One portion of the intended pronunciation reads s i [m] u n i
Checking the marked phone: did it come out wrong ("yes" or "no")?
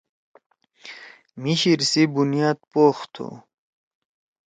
yes